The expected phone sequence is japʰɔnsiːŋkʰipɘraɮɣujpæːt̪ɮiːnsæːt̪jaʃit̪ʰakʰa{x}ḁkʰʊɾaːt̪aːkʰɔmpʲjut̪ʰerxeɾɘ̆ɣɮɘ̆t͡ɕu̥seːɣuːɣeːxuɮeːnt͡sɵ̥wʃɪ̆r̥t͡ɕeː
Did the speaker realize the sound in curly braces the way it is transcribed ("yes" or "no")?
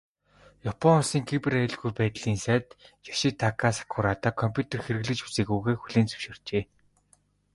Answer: no